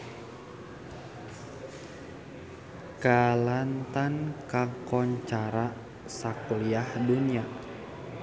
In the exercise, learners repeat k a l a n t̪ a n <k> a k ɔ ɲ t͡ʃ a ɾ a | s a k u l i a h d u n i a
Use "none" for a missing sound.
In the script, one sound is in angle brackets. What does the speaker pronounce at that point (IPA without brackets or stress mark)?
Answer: k